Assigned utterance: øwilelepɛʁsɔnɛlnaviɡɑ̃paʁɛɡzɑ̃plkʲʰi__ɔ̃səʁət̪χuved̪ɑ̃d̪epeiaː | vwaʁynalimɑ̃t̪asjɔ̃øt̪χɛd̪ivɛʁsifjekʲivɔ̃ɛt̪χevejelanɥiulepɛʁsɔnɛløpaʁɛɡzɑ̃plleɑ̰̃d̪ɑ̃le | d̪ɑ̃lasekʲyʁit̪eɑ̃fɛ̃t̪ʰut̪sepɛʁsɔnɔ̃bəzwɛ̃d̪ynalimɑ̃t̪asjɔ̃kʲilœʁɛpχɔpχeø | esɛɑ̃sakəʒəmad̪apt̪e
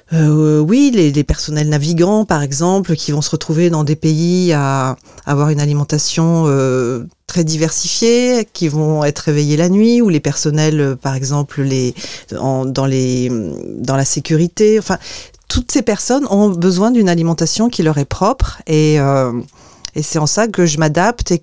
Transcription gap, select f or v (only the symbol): v